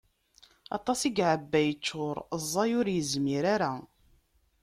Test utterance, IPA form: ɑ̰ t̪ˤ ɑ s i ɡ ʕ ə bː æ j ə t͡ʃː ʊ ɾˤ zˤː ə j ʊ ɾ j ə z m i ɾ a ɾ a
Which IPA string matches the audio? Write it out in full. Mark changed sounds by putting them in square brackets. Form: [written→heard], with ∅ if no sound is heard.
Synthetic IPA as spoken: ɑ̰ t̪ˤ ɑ s i ɡ ʕ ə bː æ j ə t͡ʃː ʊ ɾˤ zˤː [ə→ɑ] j ʊ ɾ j ə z m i ɾ a ɾ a